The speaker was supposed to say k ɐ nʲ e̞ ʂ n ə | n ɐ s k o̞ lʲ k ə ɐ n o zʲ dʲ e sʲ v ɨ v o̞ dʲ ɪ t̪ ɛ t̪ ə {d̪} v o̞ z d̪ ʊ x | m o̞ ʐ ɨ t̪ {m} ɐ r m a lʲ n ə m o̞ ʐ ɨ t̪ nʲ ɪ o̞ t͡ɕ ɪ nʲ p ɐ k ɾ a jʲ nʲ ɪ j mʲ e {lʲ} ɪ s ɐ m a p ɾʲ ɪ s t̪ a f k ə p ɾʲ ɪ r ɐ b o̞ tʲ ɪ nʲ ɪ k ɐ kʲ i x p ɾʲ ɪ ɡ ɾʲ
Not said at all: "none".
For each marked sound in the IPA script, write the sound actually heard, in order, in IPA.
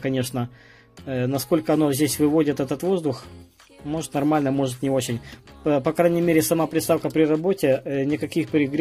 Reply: t̪, n, ɾʲ

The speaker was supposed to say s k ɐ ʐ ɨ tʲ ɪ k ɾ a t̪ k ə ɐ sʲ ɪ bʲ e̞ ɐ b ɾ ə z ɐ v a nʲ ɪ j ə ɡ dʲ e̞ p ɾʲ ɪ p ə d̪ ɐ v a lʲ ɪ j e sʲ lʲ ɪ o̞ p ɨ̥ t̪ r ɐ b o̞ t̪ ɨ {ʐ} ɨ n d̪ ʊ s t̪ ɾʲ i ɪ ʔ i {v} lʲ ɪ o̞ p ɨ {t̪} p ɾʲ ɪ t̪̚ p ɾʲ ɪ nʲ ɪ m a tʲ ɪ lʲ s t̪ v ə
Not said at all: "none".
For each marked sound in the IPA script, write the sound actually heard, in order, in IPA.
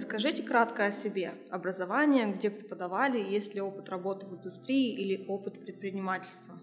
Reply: v, none, t̪

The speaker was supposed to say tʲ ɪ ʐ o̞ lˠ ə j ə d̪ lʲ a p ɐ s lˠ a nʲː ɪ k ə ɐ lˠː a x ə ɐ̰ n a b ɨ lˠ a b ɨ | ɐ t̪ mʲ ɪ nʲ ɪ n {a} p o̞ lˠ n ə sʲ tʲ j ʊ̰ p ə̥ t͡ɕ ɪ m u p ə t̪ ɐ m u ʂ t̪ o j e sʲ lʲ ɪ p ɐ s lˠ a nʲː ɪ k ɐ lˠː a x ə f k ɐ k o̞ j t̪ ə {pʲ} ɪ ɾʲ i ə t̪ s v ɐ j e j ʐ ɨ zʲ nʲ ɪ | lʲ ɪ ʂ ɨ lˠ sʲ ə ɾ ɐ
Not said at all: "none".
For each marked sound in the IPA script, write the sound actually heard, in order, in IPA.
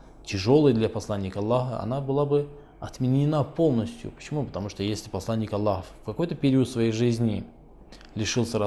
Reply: a, pʲ

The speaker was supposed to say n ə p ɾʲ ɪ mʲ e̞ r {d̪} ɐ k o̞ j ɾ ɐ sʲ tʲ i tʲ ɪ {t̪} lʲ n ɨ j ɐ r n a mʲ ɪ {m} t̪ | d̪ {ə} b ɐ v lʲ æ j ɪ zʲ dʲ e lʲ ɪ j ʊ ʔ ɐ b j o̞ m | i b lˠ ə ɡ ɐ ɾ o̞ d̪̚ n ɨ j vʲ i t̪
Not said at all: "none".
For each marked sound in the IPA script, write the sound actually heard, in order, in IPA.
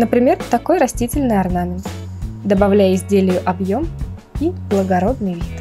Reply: t̪, none, n, ə

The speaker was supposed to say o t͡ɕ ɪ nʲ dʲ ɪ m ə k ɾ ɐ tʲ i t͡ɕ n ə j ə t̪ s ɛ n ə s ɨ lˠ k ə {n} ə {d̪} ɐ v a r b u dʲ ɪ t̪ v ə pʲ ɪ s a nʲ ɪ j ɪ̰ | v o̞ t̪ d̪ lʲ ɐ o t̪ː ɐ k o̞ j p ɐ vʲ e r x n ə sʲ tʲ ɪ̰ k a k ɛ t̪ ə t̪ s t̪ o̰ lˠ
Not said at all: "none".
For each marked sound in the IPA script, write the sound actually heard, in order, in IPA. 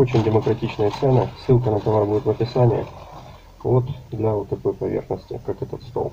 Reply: n, t̪

